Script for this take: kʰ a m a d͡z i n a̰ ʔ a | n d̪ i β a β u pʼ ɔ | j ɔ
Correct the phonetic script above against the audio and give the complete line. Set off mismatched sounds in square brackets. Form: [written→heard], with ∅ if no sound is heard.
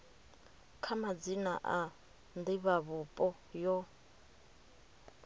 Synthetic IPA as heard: kʰ a m a d͡z i n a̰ ʔ a | n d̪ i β a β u pʼ ɔ | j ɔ